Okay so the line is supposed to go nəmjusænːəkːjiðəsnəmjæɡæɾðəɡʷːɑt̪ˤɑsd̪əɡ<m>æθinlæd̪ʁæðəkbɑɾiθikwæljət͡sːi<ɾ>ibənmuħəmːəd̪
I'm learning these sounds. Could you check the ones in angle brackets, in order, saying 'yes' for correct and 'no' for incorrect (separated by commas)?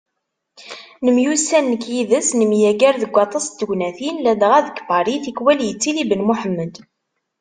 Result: no, no